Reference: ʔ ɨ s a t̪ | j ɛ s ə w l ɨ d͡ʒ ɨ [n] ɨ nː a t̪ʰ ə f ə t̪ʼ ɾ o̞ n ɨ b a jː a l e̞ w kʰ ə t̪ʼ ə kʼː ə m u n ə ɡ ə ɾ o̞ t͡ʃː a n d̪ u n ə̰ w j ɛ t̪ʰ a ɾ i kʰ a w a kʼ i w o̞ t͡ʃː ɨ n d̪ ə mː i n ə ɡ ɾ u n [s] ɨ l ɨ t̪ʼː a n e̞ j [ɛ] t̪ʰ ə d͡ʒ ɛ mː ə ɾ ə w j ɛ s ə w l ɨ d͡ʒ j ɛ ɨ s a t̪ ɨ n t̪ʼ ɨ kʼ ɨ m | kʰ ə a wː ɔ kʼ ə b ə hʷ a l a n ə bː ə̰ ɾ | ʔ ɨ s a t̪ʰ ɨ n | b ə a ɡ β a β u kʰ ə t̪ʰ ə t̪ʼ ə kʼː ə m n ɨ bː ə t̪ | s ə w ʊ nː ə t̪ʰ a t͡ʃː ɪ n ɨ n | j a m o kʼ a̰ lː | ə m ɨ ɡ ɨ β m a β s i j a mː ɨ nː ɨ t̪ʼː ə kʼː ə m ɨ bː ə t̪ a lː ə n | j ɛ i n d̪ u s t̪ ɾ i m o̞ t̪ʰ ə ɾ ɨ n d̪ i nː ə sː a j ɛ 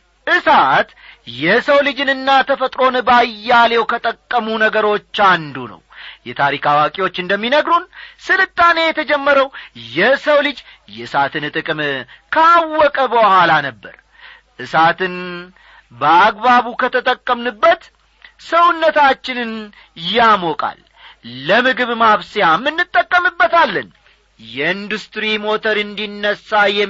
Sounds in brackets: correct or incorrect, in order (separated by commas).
correct, correct, correct